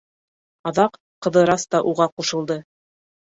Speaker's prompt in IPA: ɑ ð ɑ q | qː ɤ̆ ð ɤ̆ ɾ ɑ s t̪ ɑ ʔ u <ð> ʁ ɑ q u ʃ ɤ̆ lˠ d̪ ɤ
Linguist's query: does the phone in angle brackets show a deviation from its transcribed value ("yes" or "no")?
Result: yes